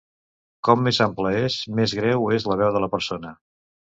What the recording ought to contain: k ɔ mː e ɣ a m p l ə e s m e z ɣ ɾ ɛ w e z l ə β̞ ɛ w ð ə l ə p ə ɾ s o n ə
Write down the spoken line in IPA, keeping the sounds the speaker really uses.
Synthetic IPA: k ɔ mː e z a m p l ə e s m e z ɣ ɾ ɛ w e z l ə β̞ ɛ w ð ə l ə p ə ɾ s o n ə